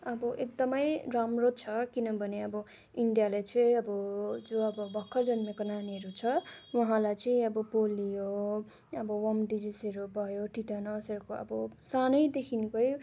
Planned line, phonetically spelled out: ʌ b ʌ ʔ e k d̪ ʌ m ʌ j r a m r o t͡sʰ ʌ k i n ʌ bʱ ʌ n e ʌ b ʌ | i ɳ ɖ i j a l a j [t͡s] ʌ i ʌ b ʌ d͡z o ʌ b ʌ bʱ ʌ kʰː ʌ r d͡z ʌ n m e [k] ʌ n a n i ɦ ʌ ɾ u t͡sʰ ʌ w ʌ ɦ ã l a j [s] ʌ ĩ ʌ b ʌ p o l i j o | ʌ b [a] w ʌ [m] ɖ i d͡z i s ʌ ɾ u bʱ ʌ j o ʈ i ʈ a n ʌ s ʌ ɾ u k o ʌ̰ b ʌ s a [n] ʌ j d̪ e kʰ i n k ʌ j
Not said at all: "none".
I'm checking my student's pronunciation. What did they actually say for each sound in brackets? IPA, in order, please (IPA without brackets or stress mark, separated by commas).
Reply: t͡s, k, t͡s, ʌ, m, n